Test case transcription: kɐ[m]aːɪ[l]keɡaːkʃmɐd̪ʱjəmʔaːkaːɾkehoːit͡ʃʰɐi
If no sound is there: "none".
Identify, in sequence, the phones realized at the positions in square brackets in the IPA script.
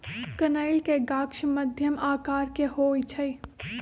n, l

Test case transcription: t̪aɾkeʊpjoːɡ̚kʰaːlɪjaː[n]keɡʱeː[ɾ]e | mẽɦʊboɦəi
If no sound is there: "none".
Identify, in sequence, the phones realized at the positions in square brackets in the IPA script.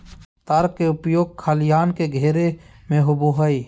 n, ɾ

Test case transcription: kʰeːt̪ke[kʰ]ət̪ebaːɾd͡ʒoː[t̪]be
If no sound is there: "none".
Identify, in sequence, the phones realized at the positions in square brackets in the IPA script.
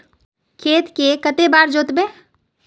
k, t̪

